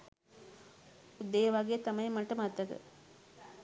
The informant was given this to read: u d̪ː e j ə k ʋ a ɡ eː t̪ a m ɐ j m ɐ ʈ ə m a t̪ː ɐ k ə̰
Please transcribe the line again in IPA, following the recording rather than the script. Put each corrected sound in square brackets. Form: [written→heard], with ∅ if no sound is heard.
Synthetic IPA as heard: u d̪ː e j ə [k→∅] ʋ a ɡ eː t̪ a m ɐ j m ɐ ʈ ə m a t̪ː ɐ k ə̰